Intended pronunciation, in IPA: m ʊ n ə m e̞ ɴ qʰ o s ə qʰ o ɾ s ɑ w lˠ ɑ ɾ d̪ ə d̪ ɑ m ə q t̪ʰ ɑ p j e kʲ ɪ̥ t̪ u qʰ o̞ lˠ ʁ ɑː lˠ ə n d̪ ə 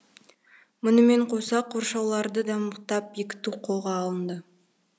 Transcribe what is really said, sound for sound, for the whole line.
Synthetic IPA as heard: m ʊ n ə m e̞ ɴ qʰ o s ɑ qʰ o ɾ ʃ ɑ w lˠ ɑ ɾ d̪ ə d̪ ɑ m ə q t̪ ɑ p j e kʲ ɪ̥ t̪ u qʰ o̞ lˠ ʁ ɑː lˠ ə n d̪ ə